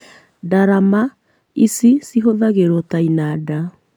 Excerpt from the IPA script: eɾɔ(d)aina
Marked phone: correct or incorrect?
incorrect